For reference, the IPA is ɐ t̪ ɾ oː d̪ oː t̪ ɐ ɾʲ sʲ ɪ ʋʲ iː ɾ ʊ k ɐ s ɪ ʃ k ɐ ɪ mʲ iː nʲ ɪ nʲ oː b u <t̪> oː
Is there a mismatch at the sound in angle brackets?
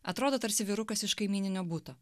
no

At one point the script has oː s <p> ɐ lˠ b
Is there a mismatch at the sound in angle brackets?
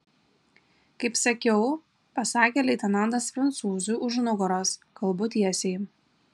yes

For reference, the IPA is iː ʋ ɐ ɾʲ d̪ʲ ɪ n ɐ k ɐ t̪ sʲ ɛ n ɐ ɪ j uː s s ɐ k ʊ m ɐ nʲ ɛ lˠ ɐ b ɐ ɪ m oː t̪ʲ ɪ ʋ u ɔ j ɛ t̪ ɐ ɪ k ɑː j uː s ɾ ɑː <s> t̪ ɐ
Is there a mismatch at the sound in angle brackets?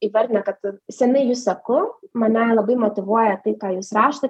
yes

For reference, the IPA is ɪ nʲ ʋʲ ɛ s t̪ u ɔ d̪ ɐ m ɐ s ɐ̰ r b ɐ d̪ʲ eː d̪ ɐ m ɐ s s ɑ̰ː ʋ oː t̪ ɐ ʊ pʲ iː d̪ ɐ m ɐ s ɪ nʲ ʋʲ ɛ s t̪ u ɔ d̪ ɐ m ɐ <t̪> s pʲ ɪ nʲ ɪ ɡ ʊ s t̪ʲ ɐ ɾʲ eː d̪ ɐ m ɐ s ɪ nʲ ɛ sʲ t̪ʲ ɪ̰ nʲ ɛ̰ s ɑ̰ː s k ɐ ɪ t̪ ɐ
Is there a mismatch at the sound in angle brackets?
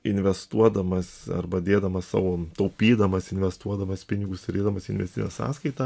yes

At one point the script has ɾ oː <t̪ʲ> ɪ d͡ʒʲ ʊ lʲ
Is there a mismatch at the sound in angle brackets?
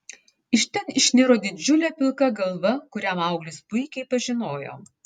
yes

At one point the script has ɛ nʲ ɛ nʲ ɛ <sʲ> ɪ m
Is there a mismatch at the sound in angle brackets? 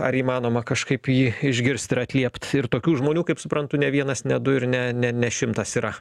yes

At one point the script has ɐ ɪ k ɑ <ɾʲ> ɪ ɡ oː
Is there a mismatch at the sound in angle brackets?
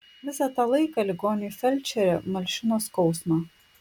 yes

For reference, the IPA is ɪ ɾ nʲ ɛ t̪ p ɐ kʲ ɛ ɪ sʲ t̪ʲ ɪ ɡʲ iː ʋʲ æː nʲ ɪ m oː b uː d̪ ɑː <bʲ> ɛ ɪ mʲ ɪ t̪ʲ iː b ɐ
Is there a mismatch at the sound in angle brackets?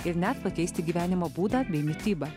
no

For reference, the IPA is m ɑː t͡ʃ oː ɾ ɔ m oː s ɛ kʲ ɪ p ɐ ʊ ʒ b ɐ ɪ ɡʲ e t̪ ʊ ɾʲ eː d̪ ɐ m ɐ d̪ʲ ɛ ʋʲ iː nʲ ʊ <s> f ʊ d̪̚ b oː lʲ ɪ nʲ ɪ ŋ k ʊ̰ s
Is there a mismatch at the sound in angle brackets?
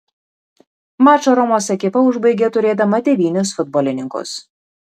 no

